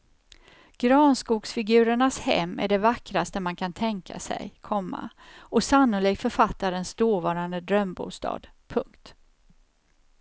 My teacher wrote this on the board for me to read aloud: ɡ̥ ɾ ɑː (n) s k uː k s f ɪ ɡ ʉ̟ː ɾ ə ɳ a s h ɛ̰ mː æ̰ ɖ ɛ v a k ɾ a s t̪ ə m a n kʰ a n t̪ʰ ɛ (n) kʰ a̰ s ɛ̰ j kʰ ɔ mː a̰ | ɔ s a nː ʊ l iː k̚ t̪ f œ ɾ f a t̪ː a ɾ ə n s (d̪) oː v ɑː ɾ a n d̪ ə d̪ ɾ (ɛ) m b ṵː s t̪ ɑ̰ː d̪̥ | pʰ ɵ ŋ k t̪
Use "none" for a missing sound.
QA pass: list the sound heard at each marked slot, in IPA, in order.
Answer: n, ŋ, d̪, œ

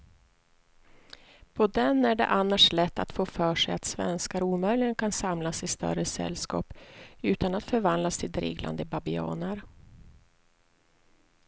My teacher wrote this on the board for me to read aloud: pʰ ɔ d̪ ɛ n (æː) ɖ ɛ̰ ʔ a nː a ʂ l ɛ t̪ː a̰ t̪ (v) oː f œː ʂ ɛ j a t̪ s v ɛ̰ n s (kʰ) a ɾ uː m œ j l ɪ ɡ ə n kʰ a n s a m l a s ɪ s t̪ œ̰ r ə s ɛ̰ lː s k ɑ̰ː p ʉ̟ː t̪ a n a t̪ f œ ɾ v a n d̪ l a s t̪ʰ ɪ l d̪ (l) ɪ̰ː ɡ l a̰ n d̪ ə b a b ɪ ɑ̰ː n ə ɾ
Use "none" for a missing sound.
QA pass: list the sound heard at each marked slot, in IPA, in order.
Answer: æ, f, k, ɾ

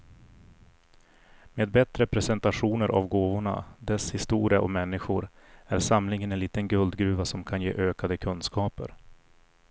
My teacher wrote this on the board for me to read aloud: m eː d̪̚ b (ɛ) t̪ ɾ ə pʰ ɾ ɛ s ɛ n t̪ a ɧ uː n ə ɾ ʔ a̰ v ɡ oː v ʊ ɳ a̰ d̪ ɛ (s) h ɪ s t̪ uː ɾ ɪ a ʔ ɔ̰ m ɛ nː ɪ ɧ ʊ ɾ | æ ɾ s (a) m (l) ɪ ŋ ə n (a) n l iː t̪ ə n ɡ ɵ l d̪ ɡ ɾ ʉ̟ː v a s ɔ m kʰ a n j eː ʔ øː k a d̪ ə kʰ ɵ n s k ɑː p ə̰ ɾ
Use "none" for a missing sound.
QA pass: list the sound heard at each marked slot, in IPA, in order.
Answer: ɛ, s, a, l, ɛ

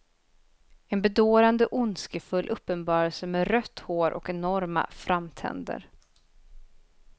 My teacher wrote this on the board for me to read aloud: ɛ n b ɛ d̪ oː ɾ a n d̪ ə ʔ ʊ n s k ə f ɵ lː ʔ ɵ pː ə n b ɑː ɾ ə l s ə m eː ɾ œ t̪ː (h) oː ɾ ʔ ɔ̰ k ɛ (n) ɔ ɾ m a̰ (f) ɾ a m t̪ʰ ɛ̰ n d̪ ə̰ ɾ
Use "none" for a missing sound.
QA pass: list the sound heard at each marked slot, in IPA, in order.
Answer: h, n, f

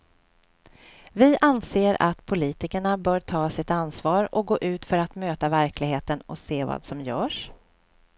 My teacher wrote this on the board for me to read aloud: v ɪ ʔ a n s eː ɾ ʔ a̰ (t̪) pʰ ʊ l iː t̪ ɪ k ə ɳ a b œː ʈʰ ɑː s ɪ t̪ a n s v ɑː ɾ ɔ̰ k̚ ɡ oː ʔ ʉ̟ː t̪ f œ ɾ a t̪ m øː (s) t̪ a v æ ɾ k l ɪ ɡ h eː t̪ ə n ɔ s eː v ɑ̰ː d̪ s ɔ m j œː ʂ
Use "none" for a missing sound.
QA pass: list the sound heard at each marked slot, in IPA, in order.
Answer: t̪, none

